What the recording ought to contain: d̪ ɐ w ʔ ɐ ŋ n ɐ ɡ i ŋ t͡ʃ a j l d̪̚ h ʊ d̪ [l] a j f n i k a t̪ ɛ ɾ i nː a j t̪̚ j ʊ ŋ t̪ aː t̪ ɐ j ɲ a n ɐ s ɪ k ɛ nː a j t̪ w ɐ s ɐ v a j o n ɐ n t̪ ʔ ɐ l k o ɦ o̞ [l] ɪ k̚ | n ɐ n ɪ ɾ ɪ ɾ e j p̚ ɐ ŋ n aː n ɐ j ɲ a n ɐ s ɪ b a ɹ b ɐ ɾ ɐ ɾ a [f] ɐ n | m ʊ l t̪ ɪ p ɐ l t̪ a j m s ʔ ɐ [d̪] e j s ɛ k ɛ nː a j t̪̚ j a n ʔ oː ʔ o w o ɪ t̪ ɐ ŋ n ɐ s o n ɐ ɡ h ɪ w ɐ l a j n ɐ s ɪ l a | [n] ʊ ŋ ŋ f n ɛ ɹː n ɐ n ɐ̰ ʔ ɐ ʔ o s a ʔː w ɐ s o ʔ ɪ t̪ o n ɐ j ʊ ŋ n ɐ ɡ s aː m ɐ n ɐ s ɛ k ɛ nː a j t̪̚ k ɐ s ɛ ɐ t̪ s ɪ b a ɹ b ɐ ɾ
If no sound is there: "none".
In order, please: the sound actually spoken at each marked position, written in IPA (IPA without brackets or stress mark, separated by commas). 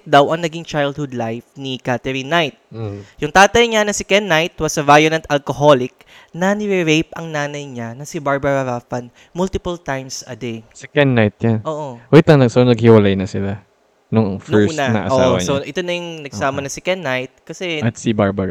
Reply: l, l, f, d̪, n